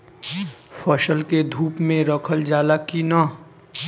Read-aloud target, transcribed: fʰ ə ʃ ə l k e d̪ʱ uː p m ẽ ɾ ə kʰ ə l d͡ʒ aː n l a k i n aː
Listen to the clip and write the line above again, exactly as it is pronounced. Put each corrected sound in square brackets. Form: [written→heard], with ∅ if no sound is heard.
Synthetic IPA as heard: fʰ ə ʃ ə l k e d̪ʱ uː p m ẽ ɾ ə kʰ ə l d͡ʒ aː [n→∅] l a k i n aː

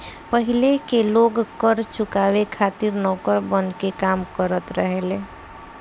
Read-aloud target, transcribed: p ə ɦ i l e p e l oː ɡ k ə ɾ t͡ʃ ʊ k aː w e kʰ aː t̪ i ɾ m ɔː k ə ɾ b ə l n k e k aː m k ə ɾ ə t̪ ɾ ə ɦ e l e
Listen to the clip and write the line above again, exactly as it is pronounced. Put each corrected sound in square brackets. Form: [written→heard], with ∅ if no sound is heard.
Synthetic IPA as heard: p ə ɦ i l e [p→k] e l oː ɡ k ə ɾ t͡ʃ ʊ k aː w e kʰ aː t̪ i ɾ [m→n] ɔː k ə ɾ b ə [l→∅] n k e k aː m k ə ɾ ə t̪ ɾ ə ɦ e l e

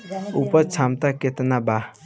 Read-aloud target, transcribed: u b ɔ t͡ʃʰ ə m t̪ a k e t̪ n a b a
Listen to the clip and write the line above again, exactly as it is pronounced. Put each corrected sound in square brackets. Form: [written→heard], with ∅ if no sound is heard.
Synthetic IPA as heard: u [b→p] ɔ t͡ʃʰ [ə→a] m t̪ a k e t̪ n a b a

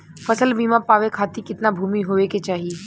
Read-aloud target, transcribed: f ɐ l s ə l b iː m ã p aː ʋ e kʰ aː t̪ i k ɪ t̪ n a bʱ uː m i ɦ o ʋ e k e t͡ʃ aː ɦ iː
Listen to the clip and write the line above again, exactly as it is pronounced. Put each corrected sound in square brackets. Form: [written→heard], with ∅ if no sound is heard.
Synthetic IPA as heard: f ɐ [l→∅] s ə l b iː m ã p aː ʋ e kʰ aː t̪ i k ɪ t̪ n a bʱ uː m i ɦ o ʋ e k e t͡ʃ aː ɦ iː

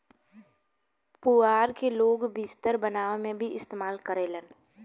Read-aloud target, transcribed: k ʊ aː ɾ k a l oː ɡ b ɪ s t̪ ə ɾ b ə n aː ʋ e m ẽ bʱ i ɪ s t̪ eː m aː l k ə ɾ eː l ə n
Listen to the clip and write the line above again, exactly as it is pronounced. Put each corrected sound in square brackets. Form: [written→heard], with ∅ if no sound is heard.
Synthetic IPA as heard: [k→p] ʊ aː ɾ k [a→e] l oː ɡ b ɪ s t̪ ə ɾ b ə n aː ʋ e m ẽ bʱ i ɪ s t̪ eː m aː l k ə ɾ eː l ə n

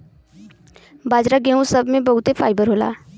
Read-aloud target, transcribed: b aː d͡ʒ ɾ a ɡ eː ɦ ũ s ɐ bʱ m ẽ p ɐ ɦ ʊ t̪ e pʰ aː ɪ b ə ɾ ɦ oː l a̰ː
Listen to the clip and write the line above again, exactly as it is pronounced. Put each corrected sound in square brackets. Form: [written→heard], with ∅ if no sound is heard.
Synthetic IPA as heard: b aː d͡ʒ ɾ a ɡ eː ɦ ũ s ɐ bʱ m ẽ [p→b] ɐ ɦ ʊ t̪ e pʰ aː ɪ b ə ɾ ɦ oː l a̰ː

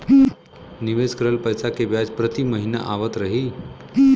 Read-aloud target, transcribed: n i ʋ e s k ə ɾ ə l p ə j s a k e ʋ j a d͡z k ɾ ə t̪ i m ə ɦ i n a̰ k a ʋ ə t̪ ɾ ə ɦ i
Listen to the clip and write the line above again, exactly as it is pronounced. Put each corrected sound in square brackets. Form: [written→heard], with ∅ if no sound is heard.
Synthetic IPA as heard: n i ʋ e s k ə ɾ ə l p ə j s a k e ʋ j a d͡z [k→p] ɾ ə t̪ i m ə ɦ i n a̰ [k→ʔ] a ʋ ə t̪ ɾ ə ɦ i

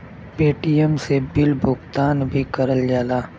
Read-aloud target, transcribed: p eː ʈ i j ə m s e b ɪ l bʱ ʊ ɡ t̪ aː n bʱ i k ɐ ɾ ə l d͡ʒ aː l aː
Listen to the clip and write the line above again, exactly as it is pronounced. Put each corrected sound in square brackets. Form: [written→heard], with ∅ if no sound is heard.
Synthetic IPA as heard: p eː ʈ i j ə m s e b ɪ l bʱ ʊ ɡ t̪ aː n bʱ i k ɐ ɾ ə l d͡ʒ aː l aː

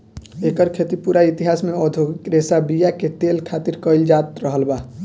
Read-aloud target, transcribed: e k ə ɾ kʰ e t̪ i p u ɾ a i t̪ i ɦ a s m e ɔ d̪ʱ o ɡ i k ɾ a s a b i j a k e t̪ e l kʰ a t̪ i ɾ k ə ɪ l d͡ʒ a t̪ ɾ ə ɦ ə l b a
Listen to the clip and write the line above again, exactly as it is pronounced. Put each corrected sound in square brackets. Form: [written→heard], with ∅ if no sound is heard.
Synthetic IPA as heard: e k ə ɾ kʰ e t̪ i p u ɾ a i t̪ i ɦ a s m e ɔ d̪ʱ o ɡ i k ɾ [a→e] s a b i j a k e t̪ e l kʰ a t̪ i ɾ k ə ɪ l d͡ʒ a t̪ ɾ ə ɦ ə l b a

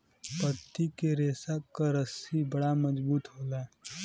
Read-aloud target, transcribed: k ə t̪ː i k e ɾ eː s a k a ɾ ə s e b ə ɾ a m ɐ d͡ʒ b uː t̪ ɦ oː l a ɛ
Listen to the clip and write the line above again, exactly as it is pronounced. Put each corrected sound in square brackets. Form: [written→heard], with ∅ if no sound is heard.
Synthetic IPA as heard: [k→p] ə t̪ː i k e ɾ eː s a k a ɾ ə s [e→i] b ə [ɾ→ɽ] a m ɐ d͡ʒ b uː t̪ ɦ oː l a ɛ

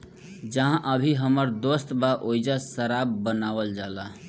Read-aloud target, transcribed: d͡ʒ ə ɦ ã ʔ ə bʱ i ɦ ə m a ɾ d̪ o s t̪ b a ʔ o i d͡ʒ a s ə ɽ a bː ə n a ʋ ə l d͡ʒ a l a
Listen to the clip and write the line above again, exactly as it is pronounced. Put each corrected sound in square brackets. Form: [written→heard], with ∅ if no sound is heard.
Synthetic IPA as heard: d͡ʒ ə ɦ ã ʔ ə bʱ i ɦ ə m [a→ə] ɾ d̪ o s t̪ b a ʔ o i d͡ʒ a s ə [ɽ→ɾ] a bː ə n a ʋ ə l d͡ʒ a l a

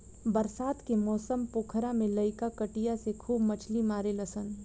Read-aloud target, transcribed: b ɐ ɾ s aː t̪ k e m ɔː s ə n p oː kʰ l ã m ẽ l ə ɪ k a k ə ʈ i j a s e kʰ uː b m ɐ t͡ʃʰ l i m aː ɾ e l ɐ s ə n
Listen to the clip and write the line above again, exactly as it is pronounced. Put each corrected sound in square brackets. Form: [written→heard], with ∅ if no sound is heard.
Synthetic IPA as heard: b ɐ ɾ s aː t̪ k e m ɔː s ə [n→m] p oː kʰ [l→ɾ] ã m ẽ l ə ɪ k a k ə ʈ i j a s e kʰ uː b m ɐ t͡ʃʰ l i m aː ɾ e l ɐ s ə n

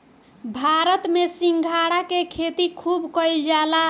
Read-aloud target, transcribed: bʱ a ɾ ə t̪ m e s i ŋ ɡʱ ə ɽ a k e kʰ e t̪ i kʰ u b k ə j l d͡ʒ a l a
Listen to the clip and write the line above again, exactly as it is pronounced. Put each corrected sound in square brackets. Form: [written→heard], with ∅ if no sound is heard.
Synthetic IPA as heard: bʱ a ɾ ə t̪ m e s i ŋ ɡʱ [ə→a] ɽ a k e kʰ e t̪ i kʰ u b k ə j l d͡ʒ a l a

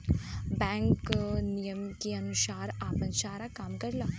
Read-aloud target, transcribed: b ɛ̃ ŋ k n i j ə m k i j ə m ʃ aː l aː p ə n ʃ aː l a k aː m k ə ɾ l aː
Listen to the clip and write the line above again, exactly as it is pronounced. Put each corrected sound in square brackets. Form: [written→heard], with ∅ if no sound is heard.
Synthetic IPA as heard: b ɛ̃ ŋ k n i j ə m k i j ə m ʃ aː [l→ɾ] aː p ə n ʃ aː [l→ɾ] a k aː m k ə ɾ l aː

